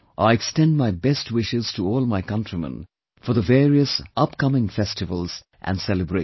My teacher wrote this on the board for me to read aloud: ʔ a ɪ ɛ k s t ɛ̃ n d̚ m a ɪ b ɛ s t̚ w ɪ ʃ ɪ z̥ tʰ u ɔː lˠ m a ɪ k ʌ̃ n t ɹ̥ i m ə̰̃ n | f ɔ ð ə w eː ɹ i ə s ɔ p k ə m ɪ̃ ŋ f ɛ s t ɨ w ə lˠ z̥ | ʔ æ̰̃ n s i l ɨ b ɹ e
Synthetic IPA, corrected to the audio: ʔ a ɪ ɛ k s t ɛ̃ n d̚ m a ɪ b ɛ s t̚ w ɪ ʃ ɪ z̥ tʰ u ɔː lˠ m a ɪ k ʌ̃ n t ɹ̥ i m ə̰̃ n | f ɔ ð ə v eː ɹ i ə s ʌ p k ʌ m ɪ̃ ŋ f ɛ s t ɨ v ə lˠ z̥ | ʔ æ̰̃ n s ɛ l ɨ b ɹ e